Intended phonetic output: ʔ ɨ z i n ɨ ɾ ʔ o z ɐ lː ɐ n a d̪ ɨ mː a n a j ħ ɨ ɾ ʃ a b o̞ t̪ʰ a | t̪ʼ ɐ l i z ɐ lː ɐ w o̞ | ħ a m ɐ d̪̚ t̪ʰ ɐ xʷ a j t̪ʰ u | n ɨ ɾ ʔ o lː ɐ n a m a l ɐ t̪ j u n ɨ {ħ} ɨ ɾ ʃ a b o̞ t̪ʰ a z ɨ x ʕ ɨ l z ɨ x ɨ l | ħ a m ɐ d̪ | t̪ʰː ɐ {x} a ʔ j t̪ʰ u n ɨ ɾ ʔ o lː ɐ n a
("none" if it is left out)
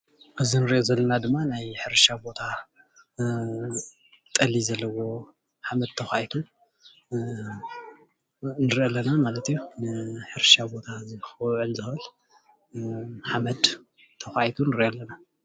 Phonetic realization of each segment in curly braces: ħ, x

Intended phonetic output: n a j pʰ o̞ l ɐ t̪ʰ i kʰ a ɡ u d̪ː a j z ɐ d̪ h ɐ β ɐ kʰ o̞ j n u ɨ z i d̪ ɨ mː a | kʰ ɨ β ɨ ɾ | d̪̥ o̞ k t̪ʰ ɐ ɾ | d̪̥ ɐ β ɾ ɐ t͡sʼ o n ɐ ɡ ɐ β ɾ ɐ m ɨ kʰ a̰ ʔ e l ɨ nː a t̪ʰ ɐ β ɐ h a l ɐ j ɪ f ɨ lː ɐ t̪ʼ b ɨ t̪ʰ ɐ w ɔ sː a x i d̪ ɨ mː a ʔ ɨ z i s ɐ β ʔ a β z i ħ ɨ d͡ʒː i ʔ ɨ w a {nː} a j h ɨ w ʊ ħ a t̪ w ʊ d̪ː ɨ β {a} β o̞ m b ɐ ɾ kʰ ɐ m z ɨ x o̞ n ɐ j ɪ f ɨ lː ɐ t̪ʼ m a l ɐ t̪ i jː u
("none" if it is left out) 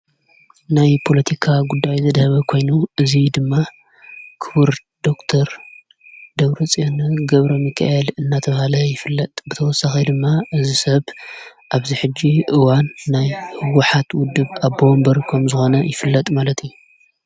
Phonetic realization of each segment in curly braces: nː, a

